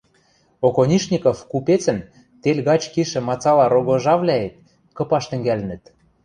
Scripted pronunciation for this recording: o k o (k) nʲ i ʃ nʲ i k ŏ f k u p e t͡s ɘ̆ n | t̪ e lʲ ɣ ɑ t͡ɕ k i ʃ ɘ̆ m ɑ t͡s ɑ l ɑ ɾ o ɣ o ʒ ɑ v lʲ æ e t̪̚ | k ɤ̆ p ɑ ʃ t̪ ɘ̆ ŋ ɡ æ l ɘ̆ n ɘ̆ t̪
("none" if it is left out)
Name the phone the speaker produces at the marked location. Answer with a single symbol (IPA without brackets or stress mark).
none